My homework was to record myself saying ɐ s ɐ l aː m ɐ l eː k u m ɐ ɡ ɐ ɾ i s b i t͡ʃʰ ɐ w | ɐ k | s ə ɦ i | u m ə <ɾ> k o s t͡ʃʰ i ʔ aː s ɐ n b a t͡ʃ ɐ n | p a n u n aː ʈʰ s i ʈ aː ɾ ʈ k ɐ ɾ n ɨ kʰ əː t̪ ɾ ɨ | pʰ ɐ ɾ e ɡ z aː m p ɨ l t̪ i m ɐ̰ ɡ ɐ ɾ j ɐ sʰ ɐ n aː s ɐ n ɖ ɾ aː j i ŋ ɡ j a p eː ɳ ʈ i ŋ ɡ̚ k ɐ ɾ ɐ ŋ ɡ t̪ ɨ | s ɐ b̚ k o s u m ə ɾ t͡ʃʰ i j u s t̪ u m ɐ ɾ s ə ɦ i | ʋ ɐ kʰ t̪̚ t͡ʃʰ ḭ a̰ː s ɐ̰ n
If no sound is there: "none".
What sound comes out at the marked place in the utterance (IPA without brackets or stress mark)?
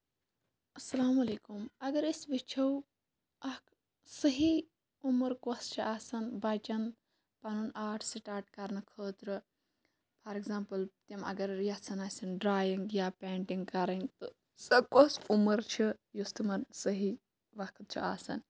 ɾ